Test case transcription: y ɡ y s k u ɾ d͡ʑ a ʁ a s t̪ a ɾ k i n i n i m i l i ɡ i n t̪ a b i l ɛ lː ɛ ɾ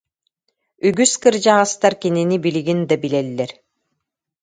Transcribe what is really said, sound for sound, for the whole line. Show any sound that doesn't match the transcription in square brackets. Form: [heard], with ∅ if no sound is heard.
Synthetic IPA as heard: y ɡ y s k [ɯ] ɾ d͡ʑ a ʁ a s t̪ a ɾ k i n i n i [b] i l i ɡ i n [d̪] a b i l ɛ lː ɛ ɾ